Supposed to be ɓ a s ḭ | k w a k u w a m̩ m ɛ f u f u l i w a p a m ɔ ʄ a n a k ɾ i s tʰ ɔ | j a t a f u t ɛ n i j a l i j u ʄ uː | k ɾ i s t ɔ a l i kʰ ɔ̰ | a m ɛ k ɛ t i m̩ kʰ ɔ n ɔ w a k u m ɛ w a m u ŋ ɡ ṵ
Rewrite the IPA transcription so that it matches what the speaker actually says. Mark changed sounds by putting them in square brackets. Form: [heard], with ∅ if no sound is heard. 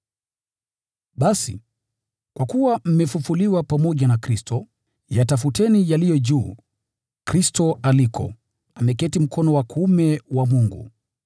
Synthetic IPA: ɓ a s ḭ | k w a k u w a m̩ m ɛ f u f u l i w a p a m ɔ ʄ a n a k ɾ i s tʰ ɔ | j a t a f u t ɛ n i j a l i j [ɔ] ʄ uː | k ɾ i s t ɔ a l i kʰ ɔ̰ | a m ɛ k ɛ t i m̩ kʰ ɔ n ɔ w a k u m ɛ w a m u ŋ ɡ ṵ